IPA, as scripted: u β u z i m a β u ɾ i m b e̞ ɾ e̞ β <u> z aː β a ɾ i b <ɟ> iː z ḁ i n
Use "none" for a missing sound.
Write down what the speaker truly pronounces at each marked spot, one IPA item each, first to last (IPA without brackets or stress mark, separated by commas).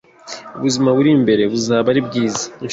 u, ɡ